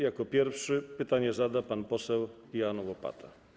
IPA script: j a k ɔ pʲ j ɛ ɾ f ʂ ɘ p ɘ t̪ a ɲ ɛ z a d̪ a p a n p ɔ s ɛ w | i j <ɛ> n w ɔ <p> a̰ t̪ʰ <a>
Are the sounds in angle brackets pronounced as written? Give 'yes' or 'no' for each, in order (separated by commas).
no, yes, yes